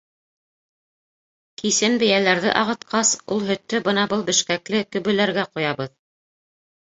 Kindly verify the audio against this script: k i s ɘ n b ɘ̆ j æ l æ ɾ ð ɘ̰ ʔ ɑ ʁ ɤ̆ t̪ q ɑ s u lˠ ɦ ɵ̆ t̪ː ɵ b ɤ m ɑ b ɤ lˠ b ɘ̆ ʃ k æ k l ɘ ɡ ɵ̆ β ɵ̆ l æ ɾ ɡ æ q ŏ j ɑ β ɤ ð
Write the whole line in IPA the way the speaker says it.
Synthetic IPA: k i s ɘ n b ɘ̆ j æ l æ ɾ ð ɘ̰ ʔ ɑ ʁ ɤ̆ t̪ q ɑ s u lˠ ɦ ɵ̆ t̪ː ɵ b ɤ n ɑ b ɤ lˠ b ɘ̆ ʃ k æ k l ɘ k ɵ̆ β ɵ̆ l æ ɾ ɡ æ q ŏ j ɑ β ɤ ð